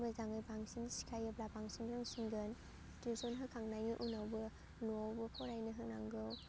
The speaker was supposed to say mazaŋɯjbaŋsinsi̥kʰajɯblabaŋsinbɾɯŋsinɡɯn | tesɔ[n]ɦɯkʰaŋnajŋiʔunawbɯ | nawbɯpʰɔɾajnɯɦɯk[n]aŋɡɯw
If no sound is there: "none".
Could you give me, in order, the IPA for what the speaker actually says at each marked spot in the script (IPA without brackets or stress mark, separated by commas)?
n, n